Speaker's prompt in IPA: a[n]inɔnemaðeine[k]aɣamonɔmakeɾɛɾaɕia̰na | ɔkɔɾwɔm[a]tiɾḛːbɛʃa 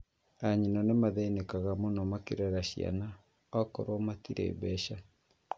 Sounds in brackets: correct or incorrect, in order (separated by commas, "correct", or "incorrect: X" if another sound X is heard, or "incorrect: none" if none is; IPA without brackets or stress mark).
incorrect: ɲ, correct, correct